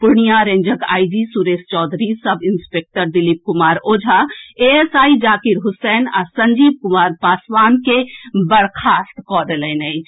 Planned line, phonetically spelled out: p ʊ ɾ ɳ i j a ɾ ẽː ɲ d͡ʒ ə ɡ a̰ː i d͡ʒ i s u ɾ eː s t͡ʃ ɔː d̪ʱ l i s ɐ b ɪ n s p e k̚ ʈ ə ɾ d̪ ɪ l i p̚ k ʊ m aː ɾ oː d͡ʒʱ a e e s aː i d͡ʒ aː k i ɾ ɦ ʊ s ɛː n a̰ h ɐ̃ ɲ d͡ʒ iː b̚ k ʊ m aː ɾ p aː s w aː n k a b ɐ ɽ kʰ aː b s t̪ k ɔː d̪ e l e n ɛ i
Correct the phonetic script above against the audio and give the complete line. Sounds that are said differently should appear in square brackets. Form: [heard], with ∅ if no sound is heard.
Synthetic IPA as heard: p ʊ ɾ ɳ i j a ɾ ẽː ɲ d͡ʒ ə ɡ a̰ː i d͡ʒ i s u ɾ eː s t͡ʃ ɔː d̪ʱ [ɾ] i s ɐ b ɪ n s p e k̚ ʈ ə ɾ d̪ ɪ l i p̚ k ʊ m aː ɾ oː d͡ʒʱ a e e s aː i d͡ʒ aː k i ɾ ɦ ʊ s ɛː n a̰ [s] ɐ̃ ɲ d͡ʒ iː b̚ k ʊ m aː ɾ p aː s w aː n k [e] b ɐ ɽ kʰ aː [∅] s t̪ k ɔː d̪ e l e n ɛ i